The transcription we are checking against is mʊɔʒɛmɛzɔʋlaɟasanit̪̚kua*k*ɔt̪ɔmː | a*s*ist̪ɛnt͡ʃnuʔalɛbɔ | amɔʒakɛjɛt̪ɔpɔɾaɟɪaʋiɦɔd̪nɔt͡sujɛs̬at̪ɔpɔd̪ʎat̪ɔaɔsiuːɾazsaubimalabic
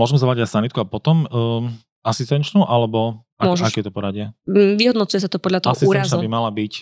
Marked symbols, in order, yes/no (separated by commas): no, yes